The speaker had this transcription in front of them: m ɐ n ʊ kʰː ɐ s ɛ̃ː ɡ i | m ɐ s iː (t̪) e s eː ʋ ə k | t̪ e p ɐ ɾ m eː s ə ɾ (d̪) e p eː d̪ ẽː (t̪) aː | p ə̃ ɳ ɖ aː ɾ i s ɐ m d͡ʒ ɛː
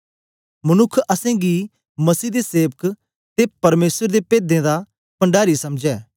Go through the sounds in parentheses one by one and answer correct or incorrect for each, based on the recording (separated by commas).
incorrect, correct, incorrect